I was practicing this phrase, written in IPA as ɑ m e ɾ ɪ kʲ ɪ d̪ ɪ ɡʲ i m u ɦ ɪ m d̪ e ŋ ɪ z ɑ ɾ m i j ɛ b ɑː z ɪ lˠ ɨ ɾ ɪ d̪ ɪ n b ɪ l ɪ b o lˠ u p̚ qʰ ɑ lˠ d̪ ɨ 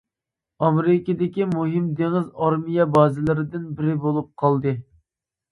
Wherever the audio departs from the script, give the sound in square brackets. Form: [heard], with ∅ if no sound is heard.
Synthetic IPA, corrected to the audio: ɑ m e ɾ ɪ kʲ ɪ d̪ ɪ [kʲ] i m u ɦ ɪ m d̪ e ŋ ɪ z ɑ ɾ m i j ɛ b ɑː z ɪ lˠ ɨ ɾ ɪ d̪ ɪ n b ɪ [ɾ] ɪ b o lˠ u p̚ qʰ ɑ lˠ d̪ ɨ